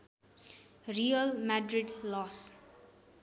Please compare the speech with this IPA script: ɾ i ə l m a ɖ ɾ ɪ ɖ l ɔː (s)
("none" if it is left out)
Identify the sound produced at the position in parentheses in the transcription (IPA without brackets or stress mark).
s